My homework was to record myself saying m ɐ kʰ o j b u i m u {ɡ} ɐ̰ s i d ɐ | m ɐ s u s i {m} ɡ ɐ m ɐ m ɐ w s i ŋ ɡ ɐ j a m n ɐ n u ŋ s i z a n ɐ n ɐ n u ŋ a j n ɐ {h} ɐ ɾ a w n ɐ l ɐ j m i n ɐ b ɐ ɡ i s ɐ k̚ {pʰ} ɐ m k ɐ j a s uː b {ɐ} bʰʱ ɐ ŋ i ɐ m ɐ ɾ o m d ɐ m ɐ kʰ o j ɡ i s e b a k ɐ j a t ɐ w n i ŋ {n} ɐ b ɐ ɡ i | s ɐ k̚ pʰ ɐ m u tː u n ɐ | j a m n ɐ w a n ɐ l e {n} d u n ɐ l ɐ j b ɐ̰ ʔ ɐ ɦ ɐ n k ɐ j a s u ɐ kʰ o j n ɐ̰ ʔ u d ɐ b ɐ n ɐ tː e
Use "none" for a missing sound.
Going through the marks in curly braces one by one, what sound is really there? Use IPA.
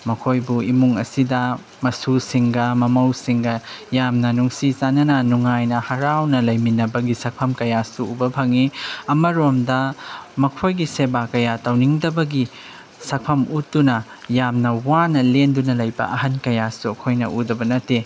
ŋ, ŋ, h, pʰ, ɐ, d, n

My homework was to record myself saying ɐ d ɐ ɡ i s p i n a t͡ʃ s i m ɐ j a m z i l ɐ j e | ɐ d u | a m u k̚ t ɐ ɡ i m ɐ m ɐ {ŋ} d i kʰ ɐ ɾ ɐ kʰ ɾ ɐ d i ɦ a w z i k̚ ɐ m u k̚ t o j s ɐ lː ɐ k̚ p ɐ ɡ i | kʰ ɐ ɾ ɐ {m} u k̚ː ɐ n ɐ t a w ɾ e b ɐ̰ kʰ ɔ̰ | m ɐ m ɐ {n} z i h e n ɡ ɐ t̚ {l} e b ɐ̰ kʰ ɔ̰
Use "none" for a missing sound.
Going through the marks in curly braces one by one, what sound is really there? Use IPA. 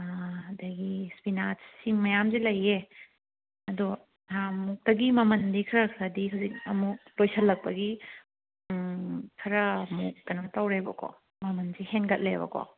n, m, n, l

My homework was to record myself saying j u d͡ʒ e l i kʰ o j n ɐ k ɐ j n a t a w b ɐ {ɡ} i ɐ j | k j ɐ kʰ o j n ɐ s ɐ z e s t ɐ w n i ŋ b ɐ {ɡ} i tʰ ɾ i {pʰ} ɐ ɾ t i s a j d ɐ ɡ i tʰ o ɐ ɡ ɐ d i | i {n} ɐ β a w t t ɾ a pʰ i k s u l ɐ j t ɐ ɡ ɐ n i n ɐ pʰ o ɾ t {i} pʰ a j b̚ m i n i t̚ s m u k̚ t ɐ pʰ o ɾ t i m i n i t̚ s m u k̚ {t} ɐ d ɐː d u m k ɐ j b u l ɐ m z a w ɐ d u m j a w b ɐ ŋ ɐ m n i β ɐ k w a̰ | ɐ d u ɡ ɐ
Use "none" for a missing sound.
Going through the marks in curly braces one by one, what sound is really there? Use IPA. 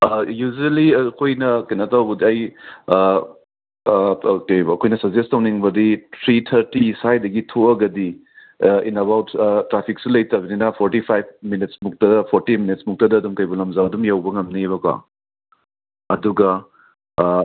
d, d, tʰ, n, i, t

